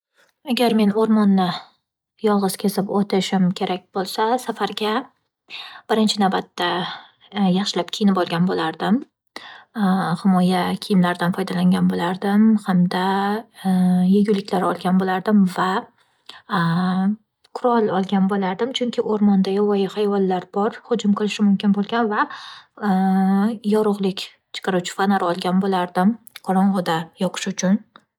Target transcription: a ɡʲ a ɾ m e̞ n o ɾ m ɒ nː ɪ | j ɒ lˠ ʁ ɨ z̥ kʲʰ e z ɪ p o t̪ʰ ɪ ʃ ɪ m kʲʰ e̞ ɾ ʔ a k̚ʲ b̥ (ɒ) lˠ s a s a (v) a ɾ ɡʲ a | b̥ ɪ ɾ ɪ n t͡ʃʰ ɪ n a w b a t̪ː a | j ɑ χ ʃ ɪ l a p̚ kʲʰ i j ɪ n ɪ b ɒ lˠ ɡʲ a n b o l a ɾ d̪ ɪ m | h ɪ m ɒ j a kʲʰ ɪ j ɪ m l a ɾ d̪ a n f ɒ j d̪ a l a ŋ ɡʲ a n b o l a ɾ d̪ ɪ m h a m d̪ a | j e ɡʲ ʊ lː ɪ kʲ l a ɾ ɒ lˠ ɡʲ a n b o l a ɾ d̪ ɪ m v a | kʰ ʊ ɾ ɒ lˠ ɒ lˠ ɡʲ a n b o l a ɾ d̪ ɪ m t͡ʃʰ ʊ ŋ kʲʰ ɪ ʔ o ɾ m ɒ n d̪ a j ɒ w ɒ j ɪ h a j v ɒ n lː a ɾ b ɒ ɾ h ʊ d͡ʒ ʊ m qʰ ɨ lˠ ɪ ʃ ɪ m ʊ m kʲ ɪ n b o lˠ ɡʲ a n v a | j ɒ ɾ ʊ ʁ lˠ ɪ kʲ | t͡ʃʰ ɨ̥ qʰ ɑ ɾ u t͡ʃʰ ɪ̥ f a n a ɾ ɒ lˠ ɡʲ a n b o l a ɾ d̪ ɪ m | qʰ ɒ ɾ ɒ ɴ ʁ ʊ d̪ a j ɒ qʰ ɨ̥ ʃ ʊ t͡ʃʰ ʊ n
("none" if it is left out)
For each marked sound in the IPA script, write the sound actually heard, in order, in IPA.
o, f

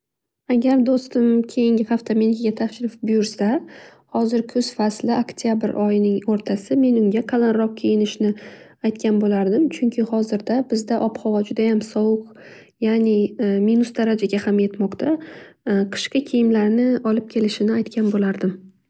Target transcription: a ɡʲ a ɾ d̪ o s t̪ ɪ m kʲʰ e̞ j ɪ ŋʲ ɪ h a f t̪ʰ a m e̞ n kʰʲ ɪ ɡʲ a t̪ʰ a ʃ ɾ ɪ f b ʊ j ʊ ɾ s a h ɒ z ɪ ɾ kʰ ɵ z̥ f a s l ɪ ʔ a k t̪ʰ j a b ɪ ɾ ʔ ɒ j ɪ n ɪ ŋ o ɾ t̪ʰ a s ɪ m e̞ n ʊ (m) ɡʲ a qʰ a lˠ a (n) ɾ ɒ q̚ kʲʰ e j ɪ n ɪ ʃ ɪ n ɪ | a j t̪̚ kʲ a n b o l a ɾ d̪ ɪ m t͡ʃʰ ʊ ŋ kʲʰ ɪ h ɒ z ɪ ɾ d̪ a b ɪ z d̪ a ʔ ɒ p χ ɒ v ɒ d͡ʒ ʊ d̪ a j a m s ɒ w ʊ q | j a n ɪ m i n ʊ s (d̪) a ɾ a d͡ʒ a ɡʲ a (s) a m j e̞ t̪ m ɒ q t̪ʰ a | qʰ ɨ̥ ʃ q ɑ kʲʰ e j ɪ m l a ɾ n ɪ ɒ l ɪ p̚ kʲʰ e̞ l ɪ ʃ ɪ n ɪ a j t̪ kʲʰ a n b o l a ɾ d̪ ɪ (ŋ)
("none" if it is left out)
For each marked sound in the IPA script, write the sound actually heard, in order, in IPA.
ŋ, n, d̪, h, m

